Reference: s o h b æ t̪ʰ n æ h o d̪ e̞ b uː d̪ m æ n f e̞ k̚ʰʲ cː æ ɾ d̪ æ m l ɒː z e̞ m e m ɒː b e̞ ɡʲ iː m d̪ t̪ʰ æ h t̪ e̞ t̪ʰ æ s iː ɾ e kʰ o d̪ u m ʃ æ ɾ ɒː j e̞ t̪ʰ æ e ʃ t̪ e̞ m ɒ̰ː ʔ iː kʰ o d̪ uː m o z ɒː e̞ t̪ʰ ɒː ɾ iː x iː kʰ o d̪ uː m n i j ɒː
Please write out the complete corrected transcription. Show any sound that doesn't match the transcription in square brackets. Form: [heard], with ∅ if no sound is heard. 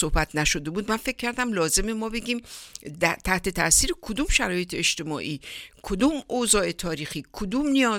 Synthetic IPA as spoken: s o h b æ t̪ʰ n æ [ʃ] o d̪ e̞ b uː d̪ m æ n f e̞ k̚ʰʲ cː æ ɾ d̪ æ m l ɒː z e̞ m e m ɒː b e̞ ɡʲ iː m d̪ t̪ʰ æ h t̪ e̞ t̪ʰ æ s iː ɾ e kʰ o d̪ u m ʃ æ ɾ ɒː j e̞ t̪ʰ [e] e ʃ t̪ e̞ m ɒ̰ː ʔ iː kʰ o d̪ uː m o z ɒː e̞ t̪ʰ ɒː ɾ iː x iː kʰ o d̪ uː m n i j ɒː